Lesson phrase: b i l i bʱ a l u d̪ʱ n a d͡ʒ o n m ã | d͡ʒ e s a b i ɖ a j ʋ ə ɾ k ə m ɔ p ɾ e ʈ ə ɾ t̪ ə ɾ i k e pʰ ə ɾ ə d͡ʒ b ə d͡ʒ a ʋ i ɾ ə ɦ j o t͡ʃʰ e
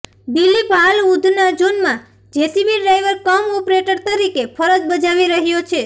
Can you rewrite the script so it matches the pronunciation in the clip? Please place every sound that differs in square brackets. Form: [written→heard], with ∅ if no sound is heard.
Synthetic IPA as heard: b i l i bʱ a l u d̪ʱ n a d͡ʒ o n m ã | d͡ʒ e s [a→i] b i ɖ a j ʋ ə ɾ k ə m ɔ p ɾ e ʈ ə ɾ t̪ ə ɾ i k e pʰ ə ɾ ə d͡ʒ b ə d͡ʒ a ʋ i ɾ ə ɦ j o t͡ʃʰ e